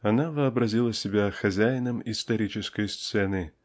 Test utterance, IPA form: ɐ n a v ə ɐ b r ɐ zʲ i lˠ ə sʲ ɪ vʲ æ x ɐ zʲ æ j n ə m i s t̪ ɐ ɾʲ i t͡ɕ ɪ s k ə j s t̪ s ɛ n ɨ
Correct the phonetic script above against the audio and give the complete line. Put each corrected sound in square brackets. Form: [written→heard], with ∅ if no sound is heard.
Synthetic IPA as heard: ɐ n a v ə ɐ b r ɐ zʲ i lˠ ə sʲ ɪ [vʲ→bʲ] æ x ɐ zʲ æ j n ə m i s t̪ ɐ ɾʲ i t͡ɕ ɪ s k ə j s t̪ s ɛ n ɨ

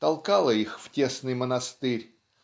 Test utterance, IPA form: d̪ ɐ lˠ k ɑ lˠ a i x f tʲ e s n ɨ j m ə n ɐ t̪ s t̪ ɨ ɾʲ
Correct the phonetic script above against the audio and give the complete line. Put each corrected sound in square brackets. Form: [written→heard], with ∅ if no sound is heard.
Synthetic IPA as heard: [d̪→t̪] ɐ lˠ k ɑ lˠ [a→ə] i x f tʲ e s n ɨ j m ə n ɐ [t̪→∅] s t̪ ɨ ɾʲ

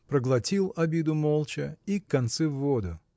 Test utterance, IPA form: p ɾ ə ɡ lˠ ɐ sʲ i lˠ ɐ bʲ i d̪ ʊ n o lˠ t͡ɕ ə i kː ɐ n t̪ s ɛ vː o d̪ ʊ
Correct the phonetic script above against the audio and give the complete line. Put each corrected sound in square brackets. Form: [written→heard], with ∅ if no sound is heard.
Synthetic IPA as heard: p ɾ ə ɡ lˠ ɐ [sʲ→tʲ] i lˠ ɐ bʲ i d̪ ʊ [n→m] o lˠ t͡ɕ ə i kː ɐ n t̪ s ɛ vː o d̪ ʊ

